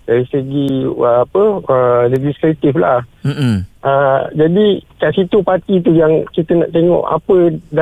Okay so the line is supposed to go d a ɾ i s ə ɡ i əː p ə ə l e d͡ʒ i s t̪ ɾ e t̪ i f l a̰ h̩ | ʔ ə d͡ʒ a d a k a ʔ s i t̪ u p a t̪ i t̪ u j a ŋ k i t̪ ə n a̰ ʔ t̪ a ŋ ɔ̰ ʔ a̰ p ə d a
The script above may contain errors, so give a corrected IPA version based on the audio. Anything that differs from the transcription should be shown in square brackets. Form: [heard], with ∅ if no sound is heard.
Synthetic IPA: d a ɾ i s ə ɡ i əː p ə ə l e d͡ʒ i s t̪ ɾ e t̪ i f l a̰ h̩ | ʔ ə d͡ʒ a d [i] k a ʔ s i t̪ u p a t̪ i t̪ u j a ŋ k i t̪ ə n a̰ ʔ t̪ [e] ŋ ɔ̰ ʔ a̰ p ə d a